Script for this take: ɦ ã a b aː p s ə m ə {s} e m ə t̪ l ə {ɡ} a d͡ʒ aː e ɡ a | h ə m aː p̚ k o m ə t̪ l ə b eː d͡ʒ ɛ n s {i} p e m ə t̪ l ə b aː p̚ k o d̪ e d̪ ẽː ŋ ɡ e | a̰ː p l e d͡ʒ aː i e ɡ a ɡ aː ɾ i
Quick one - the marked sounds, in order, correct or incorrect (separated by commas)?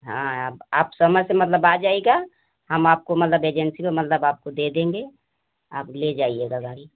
correct, incorrect, correct